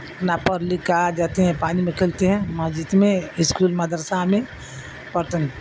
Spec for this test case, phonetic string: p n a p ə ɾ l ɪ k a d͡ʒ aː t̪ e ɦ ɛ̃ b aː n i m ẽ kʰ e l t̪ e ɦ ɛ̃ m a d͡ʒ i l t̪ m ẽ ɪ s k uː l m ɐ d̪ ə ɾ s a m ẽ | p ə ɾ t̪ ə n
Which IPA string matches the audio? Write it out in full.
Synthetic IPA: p n a p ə ɾ l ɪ k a d͡ʒ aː t̪ e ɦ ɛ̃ p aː n i m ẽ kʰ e l t̪ e ɦ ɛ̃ m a d͡ʒ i t̪ m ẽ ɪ s k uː l m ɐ d̪ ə ɾ s a m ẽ | p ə ɾ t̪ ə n